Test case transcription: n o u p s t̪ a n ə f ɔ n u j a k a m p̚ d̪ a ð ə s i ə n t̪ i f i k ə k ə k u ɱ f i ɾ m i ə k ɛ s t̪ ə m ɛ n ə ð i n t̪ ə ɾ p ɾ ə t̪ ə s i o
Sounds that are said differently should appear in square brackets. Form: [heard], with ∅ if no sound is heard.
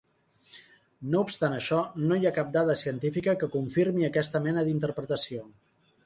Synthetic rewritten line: n o u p s t̪ a n ə [ʃ] ɔ n [o] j a k a [∅] p̚ d̪ a ð ə s i ə n t̪ i f i k ə k ə k u ɱ f i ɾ m i ə k ɛ s t̪ ə m ɛ n ə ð i n t̪ ə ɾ p ɾ ə t̪ ə s i o